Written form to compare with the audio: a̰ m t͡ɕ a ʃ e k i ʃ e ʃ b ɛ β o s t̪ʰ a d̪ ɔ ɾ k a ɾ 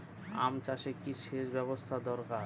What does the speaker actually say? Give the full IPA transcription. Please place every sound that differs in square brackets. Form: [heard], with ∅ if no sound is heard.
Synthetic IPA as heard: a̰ m t͡ɕ a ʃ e k i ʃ e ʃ b ɛ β o s t̪ʰ a d̪ ɔ ɾ k a ɾ

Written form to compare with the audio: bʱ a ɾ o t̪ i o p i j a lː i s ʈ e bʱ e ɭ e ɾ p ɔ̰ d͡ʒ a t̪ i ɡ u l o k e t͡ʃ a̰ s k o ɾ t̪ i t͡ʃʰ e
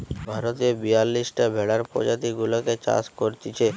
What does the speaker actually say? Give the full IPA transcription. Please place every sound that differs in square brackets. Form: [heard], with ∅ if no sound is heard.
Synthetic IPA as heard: bʱ a ɾ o t̪ i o [b] i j a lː i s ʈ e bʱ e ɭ [a] ɾ p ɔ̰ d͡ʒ a t̪ i ɡ u l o k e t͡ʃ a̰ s k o ɾ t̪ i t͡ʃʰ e

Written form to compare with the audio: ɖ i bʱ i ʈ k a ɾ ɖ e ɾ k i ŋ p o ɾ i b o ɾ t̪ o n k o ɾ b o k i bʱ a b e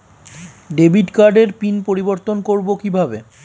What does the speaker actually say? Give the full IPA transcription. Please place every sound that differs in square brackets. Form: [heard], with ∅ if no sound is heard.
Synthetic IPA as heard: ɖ [e] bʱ i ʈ k a ɾ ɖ e ɾ [p] i [n] p o ɾ i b o ɾ t̪ o n k o ɾ b o k i bʱ a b e

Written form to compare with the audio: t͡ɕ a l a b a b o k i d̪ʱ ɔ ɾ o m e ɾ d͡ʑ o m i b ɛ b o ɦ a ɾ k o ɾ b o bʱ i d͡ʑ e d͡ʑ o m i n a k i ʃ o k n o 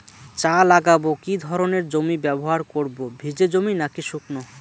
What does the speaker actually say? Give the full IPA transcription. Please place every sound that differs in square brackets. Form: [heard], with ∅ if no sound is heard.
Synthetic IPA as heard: t͡ɕ a l a [ɡ] a b o k i d̪ʱ ɔ ɾ o [n] e ɾ d͡ʑ o m i b ɛ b o ɦ a ɾ k o ɾ b o bʱ i d͡ʑ e d͡ʑ o m i n a k i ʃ [u] k n o

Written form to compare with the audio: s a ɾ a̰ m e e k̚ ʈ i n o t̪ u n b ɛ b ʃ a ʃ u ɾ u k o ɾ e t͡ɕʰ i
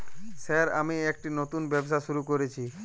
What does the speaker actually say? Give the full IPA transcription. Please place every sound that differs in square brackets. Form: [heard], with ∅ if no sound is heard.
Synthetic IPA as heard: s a ɾ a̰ m [i] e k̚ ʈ i n o t̪ u n b ɛ b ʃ a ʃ u ɾ u k o ɾ e t͡ɕʰ i

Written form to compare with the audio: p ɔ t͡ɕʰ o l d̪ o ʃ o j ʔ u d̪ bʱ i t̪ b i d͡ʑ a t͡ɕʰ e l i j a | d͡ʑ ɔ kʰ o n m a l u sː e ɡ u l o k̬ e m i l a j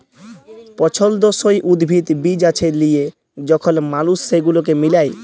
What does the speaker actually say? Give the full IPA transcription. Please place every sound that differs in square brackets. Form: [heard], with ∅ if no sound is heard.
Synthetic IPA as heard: p ɔ t͡ɕʰ o l d̪ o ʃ o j ʔ u d̪ bʱ i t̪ b i d͡ʑ a t͡ɕʰ e l i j [e] | d͡ʑ ɔ kʰ o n m a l u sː e ɡ u l o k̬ e m i l a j

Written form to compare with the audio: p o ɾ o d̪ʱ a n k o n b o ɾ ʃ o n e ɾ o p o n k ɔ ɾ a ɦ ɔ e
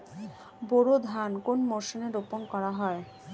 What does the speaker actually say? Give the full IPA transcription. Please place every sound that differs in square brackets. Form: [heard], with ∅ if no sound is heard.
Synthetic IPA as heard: [b] o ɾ o d̪ʱ a n k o n [m] o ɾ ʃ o n e ɾ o p o n k ɔ ɾ a ɦ ɔ e

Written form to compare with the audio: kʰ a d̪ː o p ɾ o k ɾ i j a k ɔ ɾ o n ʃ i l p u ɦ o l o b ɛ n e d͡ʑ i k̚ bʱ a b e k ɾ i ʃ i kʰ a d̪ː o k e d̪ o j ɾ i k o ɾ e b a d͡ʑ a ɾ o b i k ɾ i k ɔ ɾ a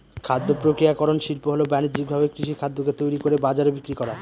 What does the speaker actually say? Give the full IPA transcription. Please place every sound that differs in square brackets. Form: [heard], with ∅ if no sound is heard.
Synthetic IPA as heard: kʰ a d̪ː o p ɾ o k ɾ i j a k ɔ ɾ o n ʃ i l p [o] ɦ o l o b ɛ n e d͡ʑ i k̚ bʱ a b e k ɾ i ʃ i kʰ a d̪ː o k e [t̪] o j ɾ i k o ɾ e b a d͡ʑ a ɾ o b i k ɾ i k ɔ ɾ a

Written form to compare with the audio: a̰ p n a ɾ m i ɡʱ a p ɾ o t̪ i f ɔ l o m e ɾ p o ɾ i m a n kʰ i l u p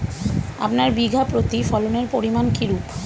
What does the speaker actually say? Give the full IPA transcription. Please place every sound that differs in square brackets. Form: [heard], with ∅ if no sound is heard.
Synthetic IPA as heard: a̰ p n a ɾ [b] i ɡʱ a p ɾ o t̪ i f ɔ l o [n] e ɾ p o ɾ i m a n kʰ i [ɾ] u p

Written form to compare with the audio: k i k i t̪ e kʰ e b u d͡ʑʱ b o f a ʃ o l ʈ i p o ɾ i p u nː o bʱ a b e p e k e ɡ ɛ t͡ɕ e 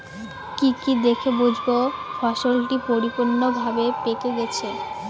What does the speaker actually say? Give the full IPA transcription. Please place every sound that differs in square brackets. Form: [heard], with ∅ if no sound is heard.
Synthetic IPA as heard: k i k i [d̪] e kʰ e b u d͡ʑʱ b o f a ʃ o l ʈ i p o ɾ i p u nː o bʱ a b e p e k e ɡ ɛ [t͡ɕʰ] e

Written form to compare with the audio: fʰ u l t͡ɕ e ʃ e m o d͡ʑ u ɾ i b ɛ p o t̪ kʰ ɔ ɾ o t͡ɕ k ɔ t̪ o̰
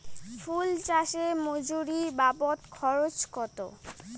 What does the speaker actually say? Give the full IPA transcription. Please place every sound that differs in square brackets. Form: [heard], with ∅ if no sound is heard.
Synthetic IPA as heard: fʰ u l t͡ɕ [a] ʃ e m o d͡ʑ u ɾ i b [a] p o t̪ kʰ ɔ ɾ o t͡ɕ k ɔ t̪ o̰

